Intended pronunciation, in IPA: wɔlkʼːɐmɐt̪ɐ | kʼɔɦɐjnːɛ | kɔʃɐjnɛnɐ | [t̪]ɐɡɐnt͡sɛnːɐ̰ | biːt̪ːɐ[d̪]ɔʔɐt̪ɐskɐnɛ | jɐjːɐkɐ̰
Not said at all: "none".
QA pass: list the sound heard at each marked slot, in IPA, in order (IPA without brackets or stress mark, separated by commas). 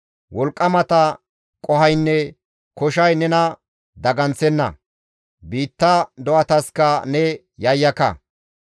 d̪, d̪